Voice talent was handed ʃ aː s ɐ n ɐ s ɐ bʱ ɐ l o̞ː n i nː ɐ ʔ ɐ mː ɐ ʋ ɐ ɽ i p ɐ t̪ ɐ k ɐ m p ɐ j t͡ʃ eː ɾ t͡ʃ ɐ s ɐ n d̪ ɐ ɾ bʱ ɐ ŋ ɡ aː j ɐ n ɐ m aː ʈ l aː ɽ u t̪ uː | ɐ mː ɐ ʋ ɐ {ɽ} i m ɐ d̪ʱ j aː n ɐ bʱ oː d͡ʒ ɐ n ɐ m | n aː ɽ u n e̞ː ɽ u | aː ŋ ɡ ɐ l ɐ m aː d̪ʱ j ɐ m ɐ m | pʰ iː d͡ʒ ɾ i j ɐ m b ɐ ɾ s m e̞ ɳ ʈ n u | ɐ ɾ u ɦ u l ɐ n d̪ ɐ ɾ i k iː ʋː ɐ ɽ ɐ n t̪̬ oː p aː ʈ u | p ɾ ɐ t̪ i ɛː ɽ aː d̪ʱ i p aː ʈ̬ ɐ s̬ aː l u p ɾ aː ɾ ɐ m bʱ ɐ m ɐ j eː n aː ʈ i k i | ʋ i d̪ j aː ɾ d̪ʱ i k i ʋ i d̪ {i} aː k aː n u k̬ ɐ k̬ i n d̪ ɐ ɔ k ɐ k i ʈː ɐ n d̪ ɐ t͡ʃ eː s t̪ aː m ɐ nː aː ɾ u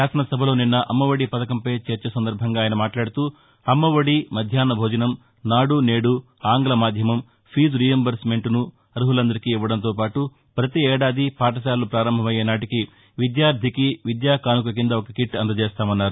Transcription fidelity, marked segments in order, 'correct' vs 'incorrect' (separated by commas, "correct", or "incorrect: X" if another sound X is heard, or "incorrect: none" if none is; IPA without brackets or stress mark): correct, incorrect: j